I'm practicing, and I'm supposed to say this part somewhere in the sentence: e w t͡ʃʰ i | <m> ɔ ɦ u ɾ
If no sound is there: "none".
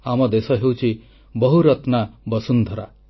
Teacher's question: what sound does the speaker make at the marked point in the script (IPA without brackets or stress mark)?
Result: b